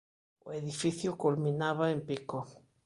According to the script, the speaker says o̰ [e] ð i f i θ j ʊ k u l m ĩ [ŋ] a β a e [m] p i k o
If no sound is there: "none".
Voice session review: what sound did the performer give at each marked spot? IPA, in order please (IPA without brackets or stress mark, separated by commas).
e, n, m